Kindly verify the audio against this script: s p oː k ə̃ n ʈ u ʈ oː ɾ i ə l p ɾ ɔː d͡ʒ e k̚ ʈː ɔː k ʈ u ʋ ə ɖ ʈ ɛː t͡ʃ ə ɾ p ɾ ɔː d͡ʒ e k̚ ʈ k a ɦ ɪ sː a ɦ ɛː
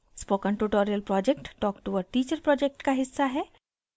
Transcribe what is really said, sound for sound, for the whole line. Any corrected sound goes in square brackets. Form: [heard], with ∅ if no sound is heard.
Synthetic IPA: s p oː k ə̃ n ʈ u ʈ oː ɾ i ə l p ɾ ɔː d͡ʒ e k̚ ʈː ɔː k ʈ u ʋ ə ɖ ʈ [iː] t͡ʃ ə ɾ p ɾ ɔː d͡ʒ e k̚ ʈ k a ɦ ɪ sː a ɦ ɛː